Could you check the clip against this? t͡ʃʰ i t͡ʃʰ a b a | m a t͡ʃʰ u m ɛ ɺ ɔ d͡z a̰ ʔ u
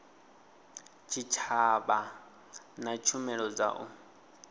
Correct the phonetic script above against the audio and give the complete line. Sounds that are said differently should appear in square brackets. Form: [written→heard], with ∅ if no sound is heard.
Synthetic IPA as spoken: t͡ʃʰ i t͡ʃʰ a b a | [m→n] a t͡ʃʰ u m ɛ ɺ ɔ d͡z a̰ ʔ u